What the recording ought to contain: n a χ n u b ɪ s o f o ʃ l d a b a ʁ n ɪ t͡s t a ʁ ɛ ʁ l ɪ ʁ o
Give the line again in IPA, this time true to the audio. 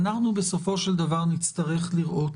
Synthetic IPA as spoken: n a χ n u b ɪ s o f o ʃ l d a v a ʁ n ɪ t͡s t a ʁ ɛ χ l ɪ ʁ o